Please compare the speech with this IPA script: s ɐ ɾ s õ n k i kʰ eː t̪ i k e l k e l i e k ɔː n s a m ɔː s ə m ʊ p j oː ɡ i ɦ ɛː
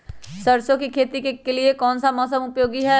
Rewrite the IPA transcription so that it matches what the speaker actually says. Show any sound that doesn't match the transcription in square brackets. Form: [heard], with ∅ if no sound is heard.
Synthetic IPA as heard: s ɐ ɾ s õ [∅] k i kʰ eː t̪ i k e [∅] k e l i e k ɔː n s a m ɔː s ə m ʊ p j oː ɡ i ɦ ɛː